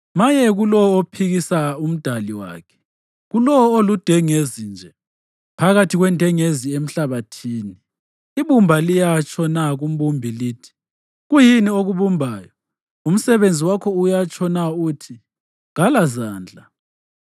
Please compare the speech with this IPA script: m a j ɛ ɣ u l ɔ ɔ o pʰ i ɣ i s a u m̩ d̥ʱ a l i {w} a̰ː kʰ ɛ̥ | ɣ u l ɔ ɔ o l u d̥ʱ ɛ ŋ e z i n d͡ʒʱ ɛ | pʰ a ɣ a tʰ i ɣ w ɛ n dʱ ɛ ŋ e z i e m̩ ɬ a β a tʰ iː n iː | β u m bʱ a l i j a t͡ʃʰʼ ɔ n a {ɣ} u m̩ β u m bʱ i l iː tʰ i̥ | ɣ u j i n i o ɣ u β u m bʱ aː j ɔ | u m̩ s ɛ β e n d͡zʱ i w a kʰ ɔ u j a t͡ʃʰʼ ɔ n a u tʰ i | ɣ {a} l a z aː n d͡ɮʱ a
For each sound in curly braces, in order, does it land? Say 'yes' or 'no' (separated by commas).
yes, yes, yes